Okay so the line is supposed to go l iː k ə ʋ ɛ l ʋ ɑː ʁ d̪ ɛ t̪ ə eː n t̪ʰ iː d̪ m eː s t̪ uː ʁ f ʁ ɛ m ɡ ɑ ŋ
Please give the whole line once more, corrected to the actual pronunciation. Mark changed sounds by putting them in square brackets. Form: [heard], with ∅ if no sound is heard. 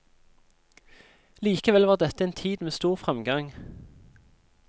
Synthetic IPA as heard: l iː k ə ʋ ɛ l ʋ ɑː ʁ d̪ ɛ t̪ ə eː n t̪ʰ iː d̪ m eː s t̪ uː ʁ f ʁ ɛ m ɡ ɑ ŋ